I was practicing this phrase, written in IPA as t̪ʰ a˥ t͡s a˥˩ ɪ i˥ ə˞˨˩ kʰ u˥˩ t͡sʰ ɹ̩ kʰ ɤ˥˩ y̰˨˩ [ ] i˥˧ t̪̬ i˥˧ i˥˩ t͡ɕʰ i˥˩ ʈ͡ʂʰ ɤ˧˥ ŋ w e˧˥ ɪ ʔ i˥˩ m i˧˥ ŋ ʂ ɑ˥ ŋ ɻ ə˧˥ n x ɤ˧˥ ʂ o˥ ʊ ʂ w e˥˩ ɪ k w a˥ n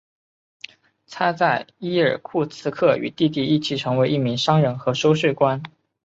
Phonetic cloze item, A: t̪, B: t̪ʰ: A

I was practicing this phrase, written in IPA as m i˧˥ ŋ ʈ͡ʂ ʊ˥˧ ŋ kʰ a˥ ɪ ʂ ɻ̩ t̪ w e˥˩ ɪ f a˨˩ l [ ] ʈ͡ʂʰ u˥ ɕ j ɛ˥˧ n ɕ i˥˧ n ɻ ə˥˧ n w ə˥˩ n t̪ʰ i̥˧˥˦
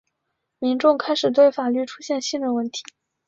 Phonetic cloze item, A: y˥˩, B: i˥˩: A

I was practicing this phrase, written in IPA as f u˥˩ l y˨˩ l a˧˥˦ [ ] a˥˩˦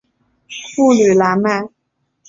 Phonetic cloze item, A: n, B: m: B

